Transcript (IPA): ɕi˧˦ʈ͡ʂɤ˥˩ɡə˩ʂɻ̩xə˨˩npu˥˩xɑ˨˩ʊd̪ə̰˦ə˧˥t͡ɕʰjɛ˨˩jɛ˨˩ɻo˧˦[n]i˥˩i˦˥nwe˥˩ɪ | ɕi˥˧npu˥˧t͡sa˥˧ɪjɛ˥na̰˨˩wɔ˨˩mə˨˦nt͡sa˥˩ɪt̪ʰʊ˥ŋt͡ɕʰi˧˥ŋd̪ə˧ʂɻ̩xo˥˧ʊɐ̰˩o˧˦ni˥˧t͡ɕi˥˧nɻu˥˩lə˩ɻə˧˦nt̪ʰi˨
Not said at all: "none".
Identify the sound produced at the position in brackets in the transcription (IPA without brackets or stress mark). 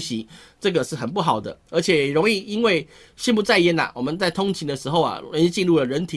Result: ŋ